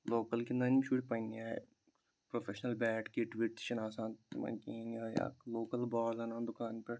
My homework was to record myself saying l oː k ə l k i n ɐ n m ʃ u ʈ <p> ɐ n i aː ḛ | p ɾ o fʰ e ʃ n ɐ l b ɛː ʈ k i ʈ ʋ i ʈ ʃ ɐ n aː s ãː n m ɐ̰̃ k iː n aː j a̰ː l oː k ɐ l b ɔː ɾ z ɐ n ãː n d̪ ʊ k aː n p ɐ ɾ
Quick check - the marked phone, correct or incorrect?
correct